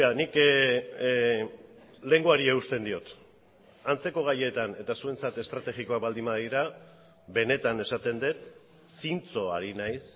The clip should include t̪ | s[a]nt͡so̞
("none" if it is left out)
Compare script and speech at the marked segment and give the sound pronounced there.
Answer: i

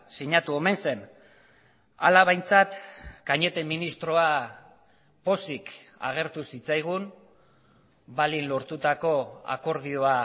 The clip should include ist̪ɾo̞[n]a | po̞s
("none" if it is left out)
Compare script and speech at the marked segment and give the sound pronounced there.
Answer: none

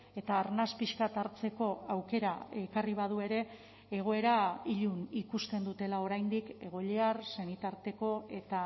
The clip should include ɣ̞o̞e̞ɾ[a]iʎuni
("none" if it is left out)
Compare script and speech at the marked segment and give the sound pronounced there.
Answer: a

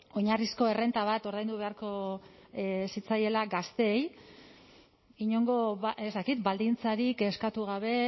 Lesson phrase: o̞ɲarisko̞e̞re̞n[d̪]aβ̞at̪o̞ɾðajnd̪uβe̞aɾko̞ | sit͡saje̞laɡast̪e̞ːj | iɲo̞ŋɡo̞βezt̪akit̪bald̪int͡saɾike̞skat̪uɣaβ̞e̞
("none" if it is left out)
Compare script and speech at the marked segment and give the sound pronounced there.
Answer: t̪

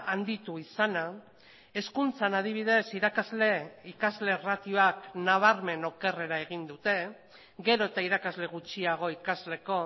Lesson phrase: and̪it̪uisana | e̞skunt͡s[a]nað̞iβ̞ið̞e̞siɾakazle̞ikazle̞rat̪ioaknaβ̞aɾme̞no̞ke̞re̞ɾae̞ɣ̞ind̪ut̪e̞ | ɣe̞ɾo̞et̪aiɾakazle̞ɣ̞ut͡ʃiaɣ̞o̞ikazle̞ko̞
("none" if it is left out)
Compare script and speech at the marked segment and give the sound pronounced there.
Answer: a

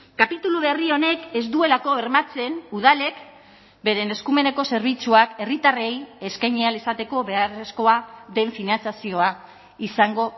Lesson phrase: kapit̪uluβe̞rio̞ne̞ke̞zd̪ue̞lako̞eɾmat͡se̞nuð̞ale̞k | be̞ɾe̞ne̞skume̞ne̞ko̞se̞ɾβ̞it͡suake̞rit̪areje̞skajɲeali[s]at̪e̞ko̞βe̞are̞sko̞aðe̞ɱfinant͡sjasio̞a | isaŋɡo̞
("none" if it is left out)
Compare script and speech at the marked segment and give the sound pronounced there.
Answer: s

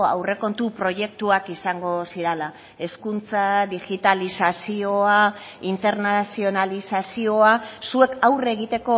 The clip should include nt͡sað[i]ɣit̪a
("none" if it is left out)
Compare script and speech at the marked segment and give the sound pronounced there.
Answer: i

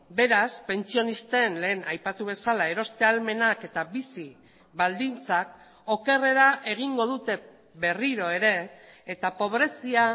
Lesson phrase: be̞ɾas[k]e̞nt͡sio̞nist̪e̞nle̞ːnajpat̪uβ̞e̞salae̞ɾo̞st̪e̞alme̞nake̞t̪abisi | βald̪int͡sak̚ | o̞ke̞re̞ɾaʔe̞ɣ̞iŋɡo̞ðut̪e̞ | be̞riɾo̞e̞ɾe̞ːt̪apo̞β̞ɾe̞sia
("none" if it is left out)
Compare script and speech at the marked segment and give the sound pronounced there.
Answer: p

